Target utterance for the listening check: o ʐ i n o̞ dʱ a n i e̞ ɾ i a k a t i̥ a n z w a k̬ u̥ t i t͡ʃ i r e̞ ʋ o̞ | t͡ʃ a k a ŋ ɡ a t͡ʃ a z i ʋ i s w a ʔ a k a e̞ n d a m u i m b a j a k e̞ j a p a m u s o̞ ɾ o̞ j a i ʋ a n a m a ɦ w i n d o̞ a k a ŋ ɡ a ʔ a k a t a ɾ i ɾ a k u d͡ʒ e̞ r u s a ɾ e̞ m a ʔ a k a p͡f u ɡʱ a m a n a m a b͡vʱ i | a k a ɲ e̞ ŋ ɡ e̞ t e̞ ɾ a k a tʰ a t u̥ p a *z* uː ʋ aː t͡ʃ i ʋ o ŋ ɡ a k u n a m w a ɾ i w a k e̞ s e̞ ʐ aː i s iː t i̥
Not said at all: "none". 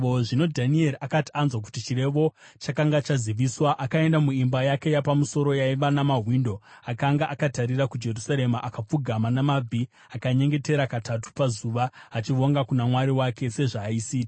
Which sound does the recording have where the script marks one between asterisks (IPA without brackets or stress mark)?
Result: z